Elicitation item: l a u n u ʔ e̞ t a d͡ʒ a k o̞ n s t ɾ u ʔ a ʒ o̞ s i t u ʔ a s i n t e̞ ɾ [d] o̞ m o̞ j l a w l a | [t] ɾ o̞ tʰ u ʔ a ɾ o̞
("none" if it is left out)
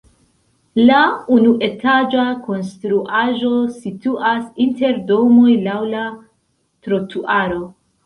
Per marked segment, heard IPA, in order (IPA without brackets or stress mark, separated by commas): d, t